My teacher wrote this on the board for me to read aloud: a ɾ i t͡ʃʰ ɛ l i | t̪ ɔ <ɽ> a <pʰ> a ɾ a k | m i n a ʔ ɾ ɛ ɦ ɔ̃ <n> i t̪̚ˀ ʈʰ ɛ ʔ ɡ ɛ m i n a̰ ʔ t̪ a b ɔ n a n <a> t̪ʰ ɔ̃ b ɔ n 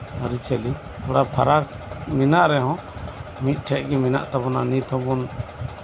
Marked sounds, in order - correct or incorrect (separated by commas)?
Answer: correct, correct, incorrect, incorrect